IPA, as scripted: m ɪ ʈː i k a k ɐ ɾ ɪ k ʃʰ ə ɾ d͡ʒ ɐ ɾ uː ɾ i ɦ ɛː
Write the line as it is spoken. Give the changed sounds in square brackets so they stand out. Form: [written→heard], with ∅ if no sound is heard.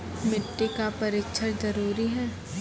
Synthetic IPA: m ɪ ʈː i k a [k→p] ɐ ɾ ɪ k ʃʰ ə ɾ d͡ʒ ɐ ɾ uː ɾ i ɦ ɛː